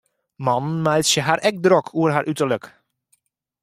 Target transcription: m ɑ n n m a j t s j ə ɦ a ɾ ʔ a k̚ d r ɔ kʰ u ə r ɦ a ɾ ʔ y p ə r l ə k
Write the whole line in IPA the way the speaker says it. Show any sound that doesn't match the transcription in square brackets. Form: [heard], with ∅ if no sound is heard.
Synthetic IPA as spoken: m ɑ n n m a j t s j ə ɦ a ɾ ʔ [ɛ] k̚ d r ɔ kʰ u ə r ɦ a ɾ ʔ y [t] ə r l ə k